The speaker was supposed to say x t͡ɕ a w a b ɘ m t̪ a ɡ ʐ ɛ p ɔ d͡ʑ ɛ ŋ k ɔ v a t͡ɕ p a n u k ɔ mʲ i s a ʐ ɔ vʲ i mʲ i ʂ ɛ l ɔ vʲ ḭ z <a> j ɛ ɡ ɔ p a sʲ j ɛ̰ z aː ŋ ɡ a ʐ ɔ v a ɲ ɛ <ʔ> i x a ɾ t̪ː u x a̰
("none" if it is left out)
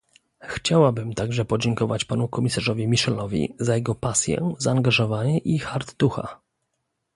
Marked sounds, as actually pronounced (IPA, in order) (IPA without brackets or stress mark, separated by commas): a, ʔ